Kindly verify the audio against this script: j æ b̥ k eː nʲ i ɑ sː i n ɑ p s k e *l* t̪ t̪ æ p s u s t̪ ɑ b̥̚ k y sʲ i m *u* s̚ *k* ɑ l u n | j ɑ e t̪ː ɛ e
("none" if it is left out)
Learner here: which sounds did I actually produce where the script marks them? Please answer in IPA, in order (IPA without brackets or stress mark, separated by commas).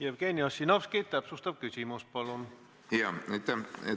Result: none, u, p